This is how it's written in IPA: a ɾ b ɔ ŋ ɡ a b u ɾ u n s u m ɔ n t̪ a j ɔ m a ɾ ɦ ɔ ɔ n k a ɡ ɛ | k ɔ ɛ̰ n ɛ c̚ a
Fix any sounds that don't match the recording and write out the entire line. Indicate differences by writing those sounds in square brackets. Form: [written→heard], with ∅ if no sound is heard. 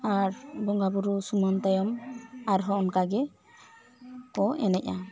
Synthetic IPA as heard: a ɾ b ɔ ŋ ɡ a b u ɾ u [n→∅] s u m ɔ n t̪ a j ɔ m a ɾ ɦ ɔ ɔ n k a ɡ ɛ | k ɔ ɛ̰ n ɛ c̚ a